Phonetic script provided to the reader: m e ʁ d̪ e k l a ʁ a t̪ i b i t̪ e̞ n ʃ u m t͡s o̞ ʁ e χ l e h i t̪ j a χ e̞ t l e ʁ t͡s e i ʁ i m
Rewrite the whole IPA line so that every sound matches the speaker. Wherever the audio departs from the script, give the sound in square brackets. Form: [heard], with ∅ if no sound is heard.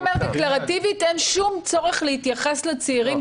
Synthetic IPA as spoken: m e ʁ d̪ e k l a ʁ a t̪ i [v] i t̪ e̞ n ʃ u m t͡s o̞ ʁ e χ l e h i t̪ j a χ e̞ [s] l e [∅] t͡s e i ʁ i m